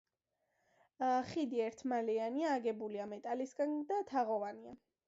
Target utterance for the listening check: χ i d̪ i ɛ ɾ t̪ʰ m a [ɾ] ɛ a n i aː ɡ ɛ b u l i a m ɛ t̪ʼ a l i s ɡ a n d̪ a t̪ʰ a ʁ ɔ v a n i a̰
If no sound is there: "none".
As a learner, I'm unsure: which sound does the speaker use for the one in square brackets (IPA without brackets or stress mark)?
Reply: l